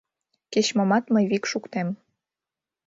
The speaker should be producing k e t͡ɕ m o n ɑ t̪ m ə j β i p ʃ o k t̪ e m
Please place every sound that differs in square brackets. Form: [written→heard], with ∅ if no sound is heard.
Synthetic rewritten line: k e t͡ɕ m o [n→m] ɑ t̪ m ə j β i [p→k] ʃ [o→u] k t̪ e m